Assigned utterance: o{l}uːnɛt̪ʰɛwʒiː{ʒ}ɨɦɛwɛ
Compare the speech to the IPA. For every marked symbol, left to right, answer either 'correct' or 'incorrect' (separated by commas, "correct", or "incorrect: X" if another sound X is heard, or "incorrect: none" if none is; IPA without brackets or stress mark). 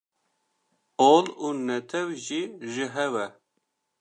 correct, correct